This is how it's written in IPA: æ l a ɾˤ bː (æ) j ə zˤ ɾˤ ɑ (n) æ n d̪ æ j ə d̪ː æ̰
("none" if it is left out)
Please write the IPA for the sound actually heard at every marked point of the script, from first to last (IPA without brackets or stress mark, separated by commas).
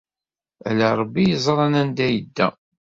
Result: i, n